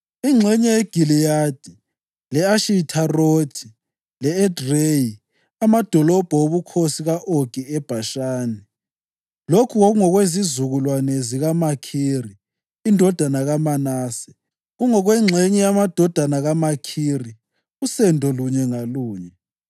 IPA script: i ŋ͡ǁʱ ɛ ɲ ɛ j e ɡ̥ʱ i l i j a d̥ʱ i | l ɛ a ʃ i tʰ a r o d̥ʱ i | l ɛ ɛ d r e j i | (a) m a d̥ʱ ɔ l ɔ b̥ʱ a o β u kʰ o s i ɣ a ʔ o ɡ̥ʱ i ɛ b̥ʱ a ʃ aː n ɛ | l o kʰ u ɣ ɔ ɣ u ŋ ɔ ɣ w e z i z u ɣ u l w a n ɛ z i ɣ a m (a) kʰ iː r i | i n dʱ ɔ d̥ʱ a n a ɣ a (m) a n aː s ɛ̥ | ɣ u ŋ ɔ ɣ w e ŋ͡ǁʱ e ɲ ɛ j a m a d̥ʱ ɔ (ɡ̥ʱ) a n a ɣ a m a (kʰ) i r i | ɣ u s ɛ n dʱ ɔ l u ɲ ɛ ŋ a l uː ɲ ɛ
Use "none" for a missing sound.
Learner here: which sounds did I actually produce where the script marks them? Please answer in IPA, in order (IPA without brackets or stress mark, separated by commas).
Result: a, a, m, d̥ʱ, kʰ